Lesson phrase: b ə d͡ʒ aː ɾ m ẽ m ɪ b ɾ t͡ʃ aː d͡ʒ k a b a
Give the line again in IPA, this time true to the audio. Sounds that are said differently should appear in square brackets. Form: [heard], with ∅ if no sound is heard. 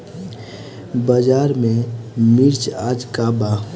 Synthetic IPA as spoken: b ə d͡ʒ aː ɾ m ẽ m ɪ [∅] ɾ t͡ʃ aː d͡ʒ k a b a